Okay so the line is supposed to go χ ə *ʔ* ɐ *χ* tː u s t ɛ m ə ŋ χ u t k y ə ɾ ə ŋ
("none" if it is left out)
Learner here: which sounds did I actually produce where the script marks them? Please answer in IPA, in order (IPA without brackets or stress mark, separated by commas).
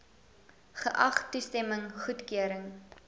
ʔ, χ